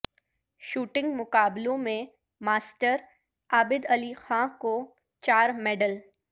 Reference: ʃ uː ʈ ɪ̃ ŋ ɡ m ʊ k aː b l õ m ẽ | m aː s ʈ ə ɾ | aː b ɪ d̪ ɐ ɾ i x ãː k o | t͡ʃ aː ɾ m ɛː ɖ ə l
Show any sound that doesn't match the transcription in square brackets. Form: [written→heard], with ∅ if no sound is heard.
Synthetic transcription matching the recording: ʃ uː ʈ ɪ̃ ŋ ɡ m ʊ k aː b l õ m ẽ | m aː s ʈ ə ɾ | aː b ɪ d̪ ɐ [ɾ→l] i x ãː k o | t͡ʃ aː ɾ m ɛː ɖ ə l

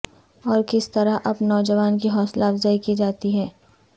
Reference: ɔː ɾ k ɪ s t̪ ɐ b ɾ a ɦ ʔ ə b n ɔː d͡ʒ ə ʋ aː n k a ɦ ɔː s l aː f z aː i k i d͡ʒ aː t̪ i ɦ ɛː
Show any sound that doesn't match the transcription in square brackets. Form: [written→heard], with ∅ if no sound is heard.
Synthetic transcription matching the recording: ɔː ɾ k ɪ s t̪ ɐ [b→∅] ɾ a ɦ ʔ [ə→ɐ] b n ɔː d͡ʒ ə ʋ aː n k [a→i] ɦ ɔː s l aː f z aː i k i d͡ʒ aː t̪ i ɦ ɛː

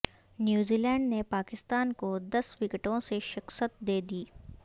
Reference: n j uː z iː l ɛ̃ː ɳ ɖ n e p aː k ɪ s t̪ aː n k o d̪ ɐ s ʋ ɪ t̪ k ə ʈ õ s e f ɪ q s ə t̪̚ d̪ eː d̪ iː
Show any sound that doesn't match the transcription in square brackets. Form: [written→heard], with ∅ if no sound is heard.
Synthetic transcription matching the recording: n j uː z iː l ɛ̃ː ɳ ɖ n e p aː k ɪ s t̪ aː n k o d̪ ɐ s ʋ ɪ [t̪→∅] k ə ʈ õ s e [f→ʃ] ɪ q s ə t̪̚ d̪ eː d̪ iː

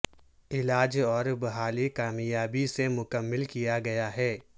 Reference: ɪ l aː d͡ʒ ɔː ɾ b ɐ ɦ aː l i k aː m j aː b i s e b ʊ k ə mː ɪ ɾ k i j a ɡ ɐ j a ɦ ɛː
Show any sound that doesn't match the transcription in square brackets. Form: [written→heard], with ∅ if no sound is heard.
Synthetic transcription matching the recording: ɪ l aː d͡ʒ ɔː ɾ b ɐ ɦ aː l i k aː m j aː b i s e [b→m] ʊ k ə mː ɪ [ɾ→l] k i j a ɡ ɐ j a ɦ ɛː

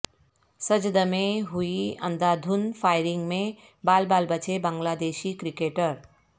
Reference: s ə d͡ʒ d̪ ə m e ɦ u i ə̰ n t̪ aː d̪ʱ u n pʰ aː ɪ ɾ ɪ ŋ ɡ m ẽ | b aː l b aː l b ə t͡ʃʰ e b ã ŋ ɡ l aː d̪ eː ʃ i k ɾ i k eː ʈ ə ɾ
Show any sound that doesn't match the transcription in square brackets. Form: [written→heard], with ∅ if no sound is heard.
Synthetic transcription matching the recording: s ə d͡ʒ d̪ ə m e ɦ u i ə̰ n [t̪→d̪] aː d̪ʱ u n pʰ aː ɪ ɾ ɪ ŋ ɡ m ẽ | b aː l b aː l b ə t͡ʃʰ e b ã ŋ ɡ l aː d̪ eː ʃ i k ɾ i k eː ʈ ə ɾ

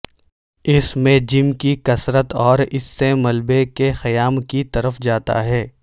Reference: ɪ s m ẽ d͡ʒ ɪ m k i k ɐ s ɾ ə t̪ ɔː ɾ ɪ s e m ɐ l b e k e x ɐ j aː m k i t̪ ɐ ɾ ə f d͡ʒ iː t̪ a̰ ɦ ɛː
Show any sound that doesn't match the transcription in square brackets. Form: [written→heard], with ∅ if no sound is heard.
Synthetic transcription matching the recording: ɪ s m ẽ d͡ʒ ɪ m k i k ɐ s ɾ ə t̪ ɔː ɾ ɪ [s→sː] e m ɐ l b e k e x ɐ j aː m k i t̪ ɐ ɾ ə f d͡ʒ [iː→aː] t̪ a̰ ɦ ɛː

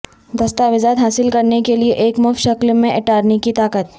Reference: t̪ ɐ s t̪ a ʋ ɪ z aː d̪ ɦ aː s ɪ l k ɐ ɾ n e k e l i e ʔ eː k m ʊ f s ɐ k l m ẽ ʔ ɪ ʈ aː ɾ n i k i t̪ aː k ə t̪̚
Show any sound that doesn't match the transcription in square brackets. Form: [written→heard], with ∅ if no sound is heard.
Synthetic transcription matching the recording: [t̪→d̪] ɐ s t̪ a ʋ ɪ z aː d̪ ɦ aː s ɪ l k ɐ ɾ n e k e l i e ʔ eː k m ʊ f [s→ʃ] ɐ k l m ẽ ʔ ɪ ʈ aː ɾ n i k i t̪ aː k ə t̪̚

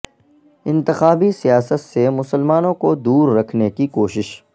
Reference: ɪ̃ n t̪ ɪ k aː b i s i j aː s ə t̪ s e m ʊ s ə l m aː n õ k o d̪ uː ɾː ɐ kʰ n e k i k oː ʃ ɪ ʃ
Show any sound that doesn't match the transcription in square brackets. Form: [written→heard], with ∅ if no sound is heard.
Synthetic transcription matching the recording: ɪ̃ n t̪ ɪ [k→x] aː b i s i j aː s ə t̪ s e m ʊ s ə l m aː n õ k o d̪ uː ɾː ɐ kʰ n e k i k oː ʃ ɪ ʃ

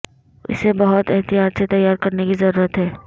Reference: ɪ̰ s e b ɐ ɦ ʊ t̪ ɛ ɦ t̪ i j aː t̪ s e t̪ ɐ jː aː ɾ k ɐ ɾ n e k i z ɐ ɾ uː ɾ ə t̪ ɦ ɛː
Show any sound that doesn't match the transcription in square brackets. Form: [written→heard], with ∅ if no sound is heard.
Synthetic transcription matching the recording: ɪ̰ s e b ɐ ɦ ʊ t̪ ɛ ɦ t̪ i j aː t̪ s e t̪ ɐ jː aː ɾ k ɐ ɾ n e k i z ɐ ɾ uː ɾ ə t̪ ɦ ɛː

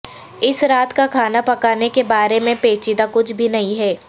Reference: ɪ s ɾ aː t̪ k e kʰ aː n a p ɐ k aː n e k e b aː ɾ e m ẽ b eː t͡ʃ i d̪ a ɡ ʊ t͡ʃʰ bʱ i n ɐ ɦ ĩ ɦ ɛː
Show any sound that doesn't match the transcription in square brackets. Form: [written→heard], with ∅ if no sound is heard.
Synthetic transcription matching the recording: ɪ s ɾ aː t̪ k [e→a] kʰ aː n a p ɐ k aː n e k e b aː ɾ e m ẽ [b→p] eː t͡ʃ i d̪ a [ɡ→k] ʊ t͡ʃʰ bʱ i n ɐ ɦ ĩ ɦ ɛː

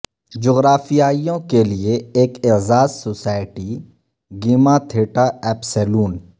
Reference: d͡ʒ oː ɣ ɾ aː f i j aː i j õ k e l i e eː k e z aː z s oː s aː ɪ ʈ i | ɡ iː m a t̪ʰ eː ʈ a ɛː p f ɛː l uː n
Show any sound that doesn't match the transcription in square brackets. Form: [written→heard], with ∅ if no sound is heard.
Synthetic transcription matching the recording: d͡ʒ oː ɣ ɾ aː f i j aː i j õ k e l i e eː k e z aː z s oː s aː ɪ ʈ i | ɡ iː m a t̪ʰ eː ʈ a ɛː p [f→s] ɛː l uː n

